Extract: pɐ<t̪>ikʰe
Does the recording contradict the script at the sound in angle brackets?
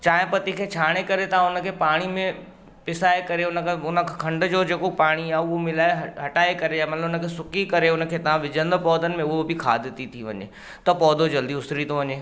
no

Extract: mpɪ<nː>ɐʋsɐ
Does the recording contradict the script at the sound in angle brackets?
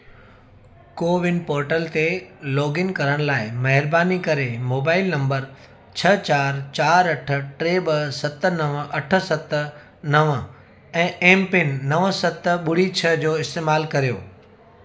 no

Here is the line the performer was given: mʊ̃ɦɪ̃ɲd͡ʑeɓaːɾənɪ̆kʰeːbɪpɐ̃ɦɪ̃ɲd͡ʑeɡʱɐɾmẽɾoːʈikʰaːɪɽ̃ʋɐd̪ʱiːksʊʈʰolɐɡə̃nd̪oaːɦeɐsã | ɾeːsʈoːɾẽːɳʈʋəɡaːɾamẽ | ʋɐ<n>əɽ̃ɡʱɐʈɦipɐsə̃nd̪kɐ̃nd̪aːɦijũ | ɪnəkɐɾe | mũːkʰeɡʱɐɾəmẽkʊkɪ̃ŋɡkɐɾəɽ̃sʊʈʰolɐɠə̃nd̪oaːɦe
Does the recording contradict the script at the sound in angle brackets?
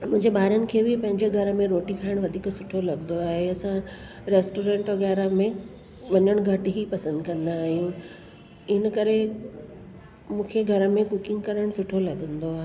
yes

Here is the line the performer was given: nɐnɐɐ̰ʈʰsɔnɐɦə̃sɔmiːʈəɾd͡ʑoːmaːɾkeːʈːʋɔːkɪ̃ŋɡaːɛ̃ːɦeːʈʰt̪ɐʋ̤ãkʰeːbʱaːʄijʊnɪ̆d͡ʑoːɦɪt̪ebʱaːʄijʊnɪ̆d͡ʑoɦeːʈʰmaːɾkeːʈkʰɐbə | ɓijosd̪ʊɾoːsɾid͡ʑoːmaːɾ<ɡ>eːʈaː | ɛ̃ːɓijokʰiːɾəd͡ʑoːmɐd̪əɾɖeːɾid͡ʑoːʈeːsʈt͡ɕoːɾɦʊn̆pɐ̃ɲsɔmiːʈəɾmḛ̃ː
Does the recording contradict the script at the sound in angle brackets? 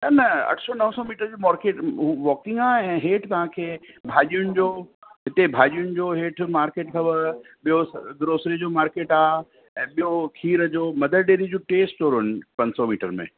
yes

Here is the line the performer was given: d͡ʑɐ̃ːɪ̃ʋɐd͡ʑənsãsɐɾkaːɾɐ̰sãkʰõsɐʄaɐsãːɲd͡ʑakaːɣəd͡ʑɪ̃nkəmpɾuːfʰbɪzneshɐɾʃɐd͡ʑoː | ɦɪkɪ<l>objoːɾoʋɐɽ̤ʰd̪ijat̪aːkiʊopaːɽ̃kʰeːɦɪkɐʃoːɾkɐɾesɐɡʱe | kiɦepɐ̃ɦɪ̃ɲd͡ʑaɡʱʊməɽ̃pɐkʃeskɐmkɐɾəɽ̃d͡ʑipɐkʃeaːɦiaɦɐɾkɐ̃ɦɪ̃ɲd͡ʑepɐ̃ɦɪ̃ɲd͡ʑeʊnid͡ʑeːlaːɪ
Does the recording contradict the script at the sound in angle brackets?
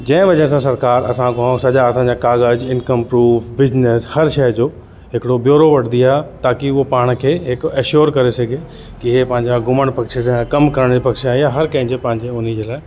yes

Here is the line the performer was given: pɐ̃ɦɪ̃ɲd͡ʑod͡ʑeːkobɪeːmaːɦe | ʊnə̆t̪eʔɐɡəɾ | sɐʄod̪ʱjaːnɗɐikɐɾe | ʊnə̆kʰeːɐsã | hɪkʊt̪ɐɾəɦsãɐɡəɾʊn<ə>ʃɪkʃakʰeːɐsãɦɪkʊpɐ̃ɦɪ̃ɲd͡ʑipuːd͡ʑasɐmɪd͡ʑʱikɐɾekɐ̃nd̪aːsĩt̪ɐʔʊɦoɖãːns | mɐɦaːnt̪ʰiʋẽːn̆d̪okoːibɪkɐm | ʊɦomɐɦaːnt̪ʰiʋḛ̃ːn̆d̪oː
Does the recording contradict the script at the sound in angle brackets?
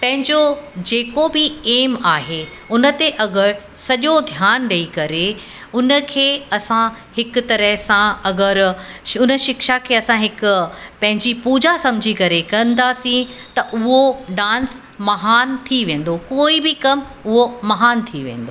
no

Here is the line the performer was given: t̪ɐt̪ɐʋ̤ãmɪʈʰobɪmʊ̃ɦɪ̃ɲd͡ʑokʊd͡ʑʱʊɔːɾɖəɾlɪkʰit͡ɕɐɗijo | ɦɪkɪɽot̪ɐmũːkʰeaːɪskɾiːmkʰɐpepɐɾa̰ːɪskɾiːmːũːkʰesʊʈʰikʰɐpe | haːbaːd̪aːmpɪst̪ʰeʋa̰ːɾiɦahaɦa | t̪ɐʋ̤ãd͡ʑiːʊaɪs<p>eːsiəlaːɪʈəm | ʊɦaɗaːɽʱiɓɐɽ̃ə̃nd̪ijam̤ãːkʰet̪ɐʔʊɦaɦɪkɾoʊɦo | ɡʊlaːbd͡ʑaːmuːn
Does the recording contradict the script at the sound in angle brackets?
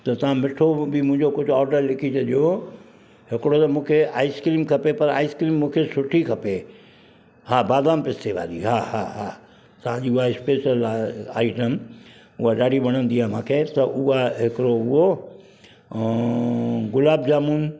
no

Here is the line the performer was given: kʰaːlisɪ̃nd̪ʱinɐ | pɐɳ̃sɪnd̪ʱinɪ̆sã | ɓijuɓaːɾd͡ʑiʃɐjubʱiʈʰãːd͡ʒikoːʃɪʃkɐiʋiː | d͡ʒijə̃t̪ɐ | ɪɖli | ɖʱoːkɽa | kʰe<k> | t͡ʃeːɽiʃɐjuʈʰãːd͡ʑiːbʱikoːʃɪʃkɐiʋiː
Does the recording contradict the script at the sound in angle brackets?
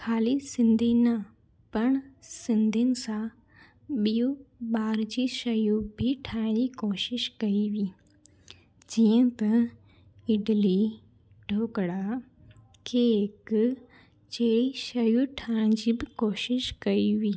no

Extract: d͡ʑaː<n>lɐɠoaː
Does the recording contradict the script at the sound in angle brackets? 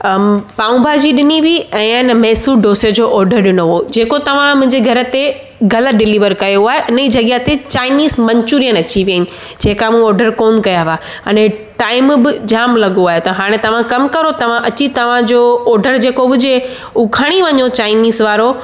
yes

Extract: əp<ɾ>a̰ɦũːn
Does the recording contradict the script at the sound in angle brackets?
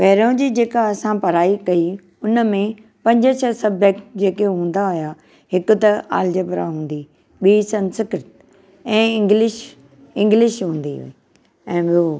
no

